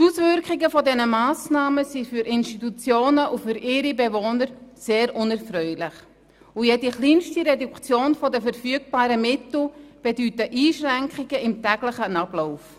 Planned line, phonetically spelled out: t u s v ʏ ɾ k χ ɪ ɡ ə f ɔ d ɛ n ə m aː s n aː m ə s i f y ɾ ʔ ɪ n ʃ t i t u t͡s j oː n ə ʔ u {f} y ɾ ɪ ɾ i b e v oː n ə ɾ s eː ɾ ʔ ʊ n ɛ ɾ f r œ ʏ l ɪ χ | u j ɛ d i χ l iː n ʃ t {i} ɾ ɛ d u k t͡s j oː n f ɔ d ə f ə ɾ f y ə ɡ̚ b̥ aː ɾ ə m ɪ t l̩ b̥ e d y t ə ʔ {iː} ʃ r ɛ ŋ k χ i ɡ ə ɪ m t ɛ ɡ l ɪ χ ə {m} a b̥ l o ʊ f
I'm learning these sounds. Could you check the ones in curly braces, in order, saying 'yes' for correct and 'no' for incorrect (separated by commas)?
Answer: yes, yes, yes, no